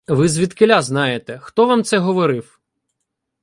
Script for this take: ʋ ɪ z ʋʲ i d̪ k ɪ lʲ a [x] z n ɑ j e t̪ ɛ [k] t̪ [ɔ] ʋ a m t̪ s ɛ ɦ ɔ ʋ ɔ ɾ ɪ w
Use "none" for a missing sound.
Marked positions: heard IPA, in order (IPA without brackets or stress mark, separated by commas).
none, x, ɔ